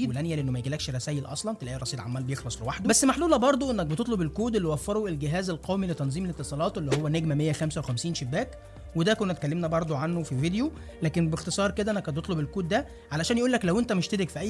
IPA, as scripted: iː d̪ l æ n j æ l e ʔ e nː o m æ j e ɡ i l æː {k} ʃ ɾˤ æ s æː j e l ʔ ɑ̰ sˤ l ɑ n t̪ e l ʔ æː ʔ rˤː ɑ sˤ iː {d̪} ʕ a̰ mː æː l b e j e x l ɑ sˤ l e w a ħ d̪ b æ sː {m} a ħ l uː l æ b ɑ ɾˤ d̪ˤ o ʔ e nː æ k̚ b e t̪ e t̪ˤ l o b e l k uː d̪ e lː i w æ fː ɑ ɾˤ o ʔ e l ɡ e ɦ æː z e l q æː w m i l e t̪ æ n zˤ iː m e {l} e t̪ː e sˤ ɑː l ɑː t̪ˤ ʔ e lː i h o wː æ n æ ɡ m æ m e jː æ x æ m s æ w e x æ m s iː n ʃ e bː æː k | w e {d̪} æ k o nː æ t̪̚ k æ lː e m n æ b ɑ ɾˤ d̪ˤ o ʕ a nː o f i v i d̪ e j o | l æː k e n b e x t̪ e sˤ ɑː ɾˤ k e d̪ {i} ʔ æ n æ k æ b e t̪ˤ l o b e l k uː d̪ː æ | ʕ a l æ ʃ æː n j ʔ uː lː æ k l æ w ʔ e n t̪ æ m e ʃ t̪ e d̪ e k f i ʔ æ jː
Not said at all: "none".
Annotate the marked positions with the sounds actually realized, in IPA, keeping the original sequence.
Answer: k, d̪, m, l, d̪, æ

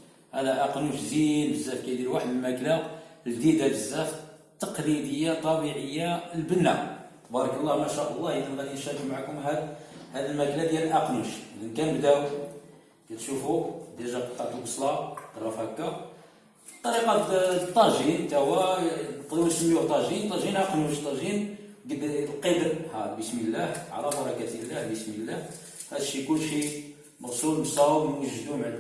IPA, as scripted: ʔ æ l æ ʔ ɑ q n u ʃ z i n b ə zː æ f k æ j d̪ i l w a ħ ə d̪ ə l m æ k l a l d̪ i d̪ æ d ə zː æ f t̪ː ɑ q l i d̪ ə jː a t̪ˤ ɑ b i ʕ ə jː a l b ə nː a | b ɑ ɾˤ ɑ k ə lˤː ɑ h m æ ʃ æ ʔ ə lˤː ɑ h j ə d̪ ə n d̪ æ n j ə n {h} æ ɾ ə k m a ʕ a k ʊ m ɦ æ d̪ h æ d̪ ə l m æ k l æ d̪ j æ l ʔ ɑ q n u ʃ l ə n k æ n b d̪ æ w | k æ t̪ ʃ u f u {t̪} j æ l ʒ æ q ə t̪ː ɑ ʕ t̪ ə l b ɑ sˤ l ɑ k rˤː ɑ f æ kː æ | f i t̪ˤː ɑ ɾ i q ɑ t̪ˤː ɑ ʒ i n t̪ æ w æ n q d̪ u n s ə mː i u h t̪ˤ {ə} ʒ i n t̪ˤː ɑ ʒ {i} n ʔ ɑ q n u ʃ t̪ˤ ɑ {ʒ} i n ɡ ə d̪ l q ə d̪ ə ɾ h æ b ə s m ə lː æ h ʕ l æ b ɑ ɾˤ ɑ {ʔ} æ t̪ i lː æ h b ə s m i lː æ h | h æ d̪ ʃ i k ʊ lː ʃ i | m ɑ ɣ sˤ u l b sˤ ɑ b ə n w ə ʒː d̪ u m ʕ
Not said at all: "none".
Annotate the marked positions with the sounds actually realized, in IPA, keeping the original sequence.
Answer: ʃ, d̪, ɑ, i, ʒ, k

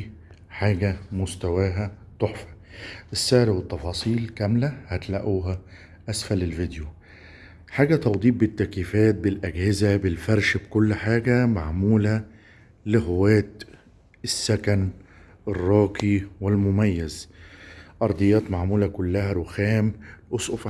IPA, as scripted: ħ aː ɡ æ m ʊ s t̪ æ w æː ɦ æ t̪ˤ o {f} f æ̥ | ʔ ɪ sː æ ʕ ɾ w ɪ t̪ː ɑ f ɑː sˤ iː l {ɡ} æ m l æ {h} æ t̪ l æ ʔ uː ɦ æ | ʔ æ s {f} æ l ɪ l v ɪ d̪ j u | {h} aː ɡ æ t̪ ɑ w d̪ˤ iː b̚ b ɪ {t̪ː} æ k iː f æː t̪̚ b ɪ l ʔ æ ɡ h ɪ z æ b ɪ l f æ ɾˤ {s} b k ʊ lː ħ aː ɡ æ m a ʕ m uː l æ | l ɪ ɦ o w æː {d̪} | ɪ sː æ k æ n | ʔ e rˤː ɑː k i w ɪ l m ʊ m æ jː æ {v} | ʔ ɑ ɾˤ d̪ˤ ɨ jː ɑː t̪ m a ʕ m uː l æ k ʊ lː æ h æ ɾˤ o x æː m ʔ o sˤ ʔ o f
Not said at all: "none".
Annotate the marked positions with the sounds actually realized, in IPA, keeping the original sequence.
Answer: ħ, k, h, f, ħ, t̪ː, ʃ, t̪, z

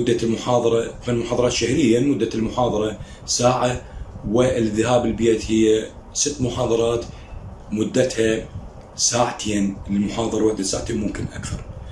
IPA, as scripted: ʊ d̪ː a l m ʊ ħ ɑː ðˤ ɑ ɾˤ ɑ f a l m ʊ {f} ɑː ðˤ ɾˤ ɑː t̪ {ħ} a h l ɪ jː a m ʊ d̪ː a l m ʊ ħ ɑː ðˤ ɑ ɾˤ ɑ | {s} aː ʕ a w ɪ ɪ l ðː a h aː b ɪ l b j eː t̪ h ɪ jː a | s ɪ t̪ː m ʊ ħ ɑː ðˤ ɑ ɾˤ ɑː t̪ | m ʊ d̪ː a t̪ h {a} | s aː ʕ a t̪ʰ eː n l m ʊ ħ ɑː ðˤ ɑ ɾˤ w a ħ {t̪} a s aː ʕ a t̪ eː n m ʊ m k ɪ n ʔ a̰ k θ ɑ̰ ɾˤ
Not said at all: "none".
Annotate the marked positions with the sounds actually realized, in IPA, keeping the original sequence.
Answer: ħ, ʃ, s, a, d̪

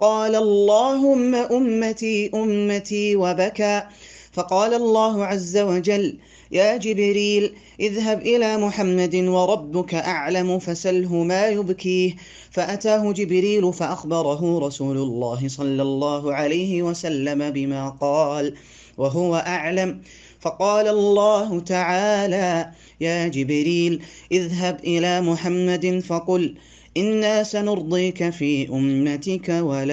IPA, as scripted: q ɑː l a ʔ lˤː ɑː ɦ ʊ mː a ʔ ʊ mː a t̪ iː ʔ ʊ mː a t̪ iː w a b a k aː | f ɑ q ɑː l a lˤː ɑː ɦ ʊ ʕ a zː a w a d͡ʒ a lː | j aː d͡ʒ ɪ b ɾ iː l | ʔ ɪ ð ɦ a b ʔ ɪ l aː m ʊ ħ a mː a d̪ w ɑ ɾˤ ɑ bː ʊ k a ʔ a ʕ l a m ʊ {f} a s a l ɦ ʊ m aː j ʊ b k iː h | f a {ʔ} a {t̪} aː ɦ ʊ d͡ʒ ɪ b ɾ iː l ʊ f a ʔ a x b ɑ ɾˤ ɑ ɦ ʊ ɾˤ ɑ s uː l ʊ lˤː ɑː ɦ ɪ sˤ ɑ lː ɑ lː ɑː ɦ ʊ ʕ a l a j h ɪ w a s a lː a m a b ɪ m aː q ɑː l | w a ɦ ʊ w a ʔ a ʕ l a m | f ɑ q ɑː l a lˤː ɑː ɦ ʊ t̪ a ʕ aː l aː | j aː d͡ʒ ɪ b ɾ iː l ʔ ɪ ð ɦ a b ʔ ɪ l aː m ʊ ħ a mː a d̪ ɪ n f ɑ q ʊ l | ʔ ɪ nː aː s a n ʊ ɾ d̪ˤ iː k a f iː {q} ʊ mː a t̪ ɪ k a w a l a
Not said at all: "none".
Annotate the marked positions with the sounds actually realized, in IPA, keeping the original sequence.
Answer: f, ʔ, t̪, ʔ

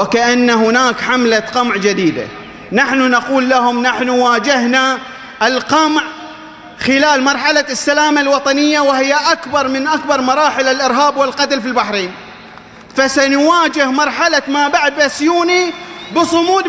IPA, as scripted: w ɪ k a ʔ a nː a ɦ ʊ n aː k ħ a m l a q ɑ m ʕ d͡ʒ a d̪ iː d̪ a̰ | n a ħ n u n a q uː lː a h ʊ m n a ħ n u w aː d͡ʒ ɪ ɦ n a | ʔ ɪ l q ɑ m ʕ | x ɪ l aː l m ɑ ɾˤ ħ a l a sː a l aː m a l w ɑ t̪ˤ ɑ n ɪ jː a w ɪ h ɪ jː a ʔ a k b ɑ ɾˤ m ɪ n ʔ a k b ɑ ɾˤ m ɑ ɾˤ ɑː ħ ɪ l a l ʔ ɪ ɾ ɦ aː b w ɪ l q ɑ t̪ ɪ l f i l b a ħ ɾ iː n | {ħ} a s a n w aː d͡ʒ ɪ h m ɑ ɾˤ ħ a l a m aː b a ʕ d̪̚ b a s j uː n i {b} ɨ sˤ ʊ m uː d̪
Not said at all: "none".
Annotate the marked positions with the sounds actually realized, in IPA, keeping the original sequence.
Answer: f, b

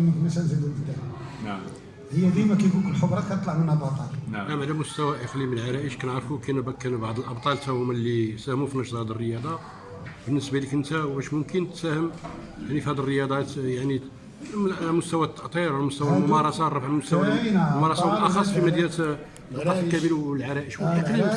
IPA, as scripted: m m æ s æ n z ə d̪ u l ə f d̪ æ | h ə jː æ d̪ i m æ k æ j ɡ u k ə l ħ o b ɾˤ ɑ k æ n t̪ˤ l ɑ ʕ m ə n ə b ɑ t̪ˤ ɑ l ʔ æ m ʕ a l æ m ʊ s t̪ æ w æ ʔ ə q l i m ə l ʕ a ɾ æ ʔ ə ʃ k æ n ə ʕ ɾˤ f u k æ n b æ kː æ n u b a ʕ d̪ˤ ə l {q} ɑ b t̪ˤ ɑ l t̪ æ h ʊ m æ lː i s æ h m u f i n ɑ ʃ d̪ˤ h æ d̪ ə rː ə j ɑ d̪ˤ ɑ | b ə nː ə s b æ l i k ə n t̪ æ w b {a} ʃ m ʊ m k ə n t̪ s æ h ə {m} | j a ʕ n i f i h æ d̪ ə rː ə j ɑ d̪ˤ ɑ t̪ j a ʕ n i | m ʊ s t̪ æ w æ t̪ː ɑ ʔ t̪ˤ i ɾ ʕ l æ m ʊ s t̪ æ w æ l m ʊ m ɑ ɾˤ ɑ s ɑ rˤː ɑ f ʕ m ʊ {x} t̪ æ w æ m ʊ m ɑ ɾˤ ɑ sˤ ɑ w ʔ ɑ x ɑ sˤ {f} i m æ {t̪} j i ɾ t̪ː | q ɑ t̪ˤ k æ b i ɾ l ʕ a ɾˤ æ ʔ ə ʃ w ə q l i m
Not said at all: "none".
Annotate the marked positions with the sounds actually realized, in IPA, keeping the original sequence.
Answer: ʔ, æ, m, s, f, d̪

